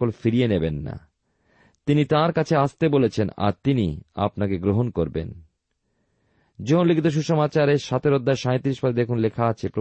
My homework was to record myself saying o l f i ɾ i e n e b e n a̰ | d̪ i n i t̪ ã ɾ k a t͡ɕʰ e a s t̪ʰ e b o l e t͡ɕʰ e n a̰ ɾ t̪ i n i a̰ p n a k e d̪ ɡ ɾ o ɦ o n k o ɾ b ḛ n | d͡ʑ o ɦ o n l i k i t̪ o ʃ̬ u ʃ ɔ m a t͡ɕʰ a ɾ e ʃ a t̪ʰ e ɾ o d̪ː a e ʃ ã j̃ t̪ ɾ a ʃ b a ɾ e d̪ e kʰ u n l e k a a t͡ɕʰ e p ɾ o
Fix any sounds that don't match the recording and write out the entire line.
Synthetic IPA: o l f i ɾ i e n e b e nː a̰ | t̪ i n i t̪ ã ɾ k a t͡ɕʰ e a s t̪ e b o l e t͡ɕʰ e n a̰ ɾ t̪ i n i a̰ p n a k e ɡ ɾ o ɦ o n k o ɾ b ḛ n | d͡ʑ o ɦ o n l i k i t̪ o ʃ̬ u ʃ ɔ m a t͡ɕ a ɾ e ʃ a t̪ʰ e ɾ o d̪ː a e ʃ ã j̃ t̪ ɾ i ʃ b a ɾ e d̪ e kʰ u n l e kʰ a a t͡ɕʰ e p ɾ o